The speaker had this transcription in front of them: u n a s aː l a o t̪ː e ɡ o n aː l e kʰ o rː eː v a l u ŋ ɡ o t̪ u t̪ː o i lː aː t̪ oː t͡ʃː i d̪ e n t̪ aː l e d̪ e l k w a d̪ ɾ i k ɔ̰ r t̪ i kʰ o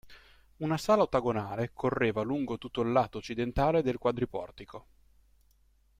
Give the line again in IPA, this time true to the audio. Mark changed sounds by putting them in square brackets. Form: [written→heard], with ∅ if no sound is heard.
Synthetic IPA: u n a s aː l a o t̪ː [e→a] ɡ o n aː l e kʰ o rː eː v a l u ŋ ɡ o t̪ u t̪ː o i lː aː t̪ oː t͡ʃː i d̪ e n t̪ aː l e d̪ e l k w a d̪ ɾ i [k→p] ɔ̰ r t̪ i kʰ o